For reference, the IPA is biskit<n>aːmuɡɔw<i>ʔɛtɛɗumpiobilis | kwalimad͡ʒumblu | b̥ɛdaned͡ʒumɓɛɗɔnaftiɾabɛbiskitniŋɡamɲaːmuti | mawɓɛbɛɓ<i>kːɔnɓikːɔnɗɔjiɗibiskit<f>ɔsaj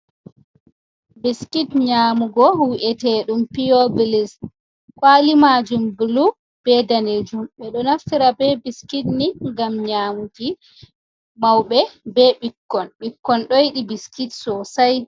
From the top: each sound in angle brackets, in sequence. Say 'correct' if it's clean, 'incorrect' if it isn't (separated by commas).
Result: incorrect, correct, correct, incorrect